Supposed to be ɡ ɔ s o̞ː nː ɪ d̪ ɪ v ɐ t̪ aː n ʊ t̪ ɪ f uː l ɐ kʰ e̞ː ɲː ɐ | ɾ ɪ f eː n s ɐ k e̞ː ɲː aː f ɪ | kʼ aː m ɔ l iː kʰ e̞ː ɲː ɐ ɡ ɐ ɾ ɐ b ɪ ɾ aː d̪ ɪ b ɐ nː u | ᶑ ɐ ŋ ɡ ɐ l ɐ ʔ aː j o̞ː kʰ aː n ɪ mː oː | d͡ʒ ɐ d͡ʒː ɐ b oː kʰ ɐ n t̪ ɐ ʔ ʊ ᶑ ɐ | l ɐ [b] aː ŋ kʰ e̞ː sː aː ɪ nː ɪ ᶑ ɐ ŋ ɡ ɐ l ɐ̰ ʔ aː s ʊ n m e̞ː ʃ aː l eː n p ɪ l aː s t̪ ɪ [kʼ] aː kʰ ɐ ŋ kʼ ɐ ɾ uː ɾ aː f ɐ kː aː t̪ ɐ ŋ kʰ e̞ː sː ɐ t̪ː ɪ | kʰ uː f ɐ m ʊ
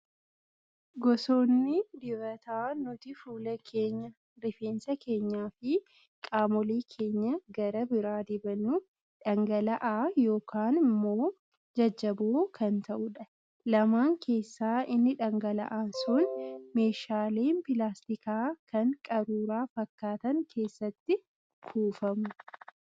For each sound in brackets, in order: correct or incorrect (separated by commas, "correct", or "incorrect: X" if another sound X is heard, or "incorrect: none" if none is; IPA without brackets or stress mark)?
incorrect: m, incorrect: k